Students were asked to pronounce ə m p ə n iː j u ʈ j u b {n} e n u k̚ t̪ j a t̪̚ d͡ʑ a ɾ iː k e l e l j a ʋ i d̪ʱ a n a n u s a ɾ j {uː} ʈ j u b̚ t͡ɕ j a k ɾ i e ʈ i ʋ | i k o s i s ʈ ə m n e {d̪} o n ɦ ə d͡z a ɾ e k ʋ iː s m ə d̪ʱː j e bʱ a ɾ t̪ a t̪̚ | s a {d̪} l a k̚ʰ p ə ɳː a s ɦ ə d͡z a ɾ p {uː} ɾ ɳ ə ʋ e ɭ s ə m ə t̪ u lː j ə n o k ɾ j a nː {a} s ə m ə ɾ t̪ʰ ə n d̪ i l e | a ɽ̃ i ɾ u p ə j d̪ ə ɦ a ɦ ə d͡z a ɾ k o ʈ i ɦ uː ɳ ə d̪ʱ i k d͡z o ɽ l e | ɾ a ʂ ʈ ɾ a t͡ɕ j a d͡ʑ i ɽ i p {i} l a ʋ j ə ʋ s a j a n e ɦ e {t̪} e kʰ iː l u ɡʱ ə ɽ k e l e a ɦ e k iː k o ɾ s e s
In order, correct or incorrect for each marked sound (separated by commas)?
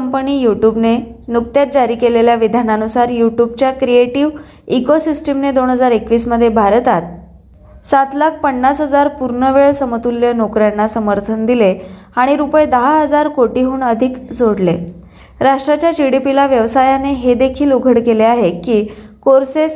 correct, incorrect, correct, incorrect, incorrect, correct, correct, incorrect